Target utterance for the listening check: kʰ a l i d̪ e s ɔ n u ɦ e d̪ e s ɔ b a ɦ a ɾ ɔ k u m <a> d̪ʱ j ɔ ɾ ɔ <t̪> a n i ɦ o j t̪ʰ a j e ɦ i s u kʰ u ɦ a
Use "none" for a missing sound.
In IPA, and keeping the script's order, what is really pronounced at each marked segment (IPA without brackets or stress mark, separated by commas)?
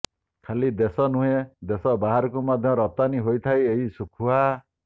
a, t̪